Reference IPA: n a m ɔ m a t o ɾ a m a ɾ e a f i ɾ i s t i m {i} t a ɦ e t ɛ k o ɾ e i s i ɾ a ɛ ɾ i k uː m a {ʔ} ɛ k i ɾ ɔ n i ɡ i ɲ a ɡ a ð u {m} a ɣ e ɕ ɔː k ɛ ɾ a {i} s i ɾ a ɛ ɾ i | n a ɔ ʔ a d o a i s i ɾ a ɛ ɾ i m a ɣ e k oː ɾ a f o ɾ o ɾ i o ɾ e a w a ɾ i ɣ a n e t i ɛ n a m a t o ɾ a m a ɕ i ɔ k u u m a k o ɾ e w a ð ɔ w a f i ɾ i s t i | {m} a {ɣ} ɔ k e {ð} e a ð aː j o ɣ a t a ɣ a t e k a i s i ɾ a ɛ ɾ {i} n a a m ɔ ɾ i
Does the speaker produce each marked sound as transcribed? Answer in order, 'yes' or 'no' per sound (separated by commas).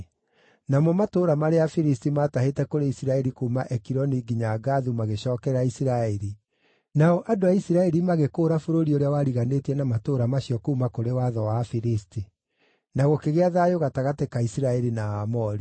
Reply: no, yes, yes, yes, no, yes, no, yes